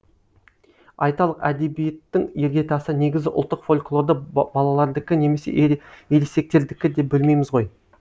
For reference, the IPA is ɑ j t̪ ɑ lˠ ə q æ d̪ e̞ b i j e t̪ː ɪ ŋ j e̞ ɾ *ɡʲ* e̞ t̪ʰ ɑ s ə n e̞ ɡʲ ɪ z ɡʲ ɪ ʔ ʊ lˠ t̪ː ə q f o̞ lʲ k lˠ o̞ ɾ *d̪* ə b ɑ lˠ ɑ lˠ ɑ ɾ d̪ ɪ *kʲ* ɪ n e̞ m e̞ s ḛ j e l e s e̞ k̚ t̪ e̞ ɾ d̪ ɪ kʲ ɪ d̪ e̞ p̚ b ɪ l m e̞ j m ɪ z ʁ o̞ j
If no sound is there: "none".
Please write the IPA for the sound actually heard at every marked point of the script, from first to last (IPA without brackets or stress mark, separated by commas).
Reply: ɡʲ, d̪, kʲ